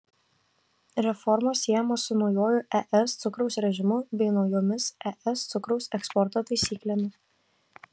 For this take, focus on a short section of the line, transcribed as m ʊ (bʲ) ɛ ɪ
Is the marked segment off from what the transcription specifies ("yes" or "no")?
no